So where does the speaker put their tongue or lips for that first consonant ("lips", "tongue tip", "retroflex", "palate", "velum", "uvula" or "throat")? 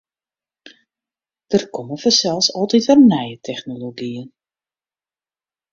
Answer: tongue tip